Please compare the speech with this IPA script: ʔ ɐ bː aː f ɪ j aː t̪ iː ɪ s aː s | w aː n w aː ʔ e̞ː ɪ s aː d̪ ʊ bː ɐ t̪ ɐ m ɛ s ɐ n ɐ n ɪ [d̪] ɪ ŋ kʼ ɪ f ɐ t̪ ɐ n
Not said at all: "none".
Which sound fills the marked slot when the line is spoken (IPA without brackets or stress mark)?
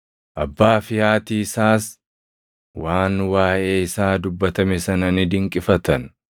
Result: d̪